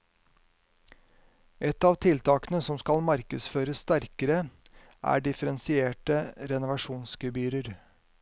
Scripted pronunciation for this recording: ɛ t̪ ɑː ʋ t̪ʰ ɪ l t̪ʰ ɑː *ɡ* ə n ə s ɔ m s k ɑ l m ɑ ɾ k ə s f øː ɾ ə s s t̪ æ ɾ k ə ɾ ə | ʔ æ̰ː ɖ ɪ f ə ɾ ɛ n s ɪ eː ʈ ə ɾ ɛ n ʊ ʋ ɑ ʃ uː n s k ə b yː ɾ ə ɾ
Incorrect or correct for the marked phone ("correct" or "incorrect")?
incorrect